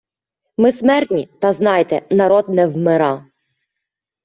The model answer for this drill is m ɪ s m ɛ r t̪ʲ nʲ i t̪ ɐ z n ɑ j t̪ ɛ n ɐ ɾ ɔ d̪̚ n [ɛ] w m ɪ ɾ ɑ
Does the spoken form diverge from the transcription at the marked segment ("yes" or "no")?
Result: no